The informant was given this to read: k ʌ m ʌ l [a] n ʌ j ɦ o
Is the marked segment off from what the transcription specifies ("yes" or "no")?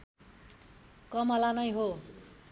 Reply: no